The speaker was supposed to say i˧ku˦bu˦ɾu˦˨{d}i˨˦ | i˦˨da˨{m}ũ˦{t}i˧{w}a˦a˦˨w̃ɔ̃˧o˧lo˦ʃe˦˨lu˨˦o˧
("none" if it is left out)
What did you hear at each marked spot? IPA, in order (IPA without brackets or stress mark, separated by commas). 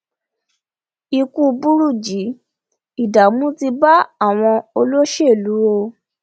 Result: d͡ʒ, m, t, b